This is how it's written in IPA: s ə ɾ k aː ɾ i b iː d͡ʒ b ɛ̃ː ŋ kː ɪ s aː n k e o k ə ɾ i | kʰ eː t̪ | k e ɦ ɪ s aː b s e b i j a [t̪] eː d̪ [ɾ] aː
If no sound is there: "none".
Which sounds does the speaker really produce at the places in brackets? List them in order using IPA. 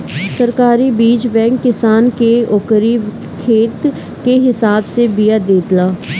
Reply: d̪, l

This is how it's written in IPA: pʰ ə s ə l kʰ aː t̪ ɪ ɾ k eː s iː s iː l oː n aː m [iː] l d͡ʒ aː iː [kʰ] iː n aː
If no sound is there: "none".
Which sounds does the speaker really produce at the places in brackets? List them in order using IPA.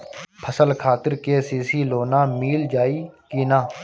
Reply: iː, k

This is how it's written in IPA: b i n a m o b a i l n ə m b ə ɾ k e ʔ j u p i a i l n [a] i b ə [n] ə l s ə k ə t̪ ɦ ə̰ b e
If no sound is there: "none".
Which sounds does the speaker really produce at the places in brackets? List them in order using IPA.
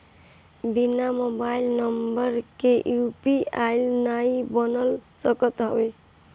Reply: a, n

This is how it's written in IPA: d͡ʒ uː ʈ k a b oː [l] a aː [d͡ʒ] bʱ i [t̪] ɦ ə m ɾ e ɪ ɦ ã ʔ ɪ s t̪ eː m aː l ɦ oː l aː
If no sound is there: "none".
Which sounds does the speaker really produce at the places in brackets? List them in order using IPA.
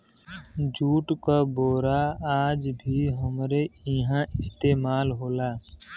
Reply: ɾ, d͡ʒ, none

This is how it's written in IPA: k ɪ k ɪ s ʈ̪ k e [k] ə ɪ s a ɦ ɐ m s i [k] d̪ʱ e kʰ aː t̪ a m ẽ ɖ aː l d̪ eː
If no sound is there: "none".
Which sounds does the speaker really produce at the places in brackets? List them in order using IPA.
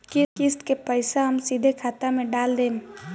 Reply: p, none

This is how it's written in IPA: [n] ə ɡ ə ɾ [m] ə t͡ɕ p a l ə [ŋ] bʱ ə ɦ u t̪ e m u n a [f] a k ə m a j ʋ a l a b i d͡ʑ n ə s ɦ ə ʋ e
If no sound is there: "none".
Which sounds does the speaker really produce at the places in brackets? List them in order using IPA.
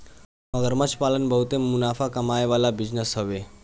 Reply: m, m, n, f

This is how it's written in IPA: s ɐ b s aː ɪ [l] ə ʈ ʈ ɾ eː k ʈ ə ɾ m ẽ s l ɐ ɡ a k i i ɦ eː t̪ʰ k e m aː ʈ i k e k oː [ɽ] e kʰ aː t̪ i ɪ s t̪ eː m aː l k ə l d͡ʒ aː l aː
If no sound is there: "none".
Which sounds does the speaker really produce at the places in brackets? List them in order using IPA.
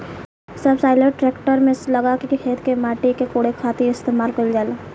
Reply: l, ɽ

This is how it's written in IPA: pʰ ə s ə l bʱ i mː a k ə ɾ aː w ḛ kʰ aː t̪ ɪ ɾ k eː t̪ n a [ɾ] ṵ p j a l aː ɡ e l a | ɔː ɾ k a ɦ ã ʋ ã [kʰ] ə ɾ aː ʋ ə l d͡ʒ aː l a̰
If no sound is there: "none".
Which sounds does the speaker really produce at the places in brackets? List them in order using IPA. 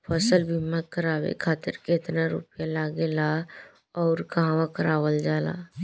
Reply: ɾ, k

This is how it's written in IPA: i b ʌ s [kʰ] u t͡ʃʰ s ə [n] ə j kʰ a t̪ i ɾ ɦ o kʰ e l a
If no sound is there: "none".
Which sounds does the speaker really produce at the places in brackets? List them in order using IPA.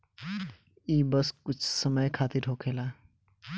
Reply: k, m

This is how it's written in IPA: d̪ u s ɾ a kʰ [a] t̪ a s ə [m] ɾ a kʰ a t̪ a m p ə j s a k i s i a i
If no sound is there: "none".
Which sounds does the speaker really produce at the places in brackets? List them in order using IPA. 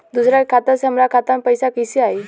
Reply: a, m

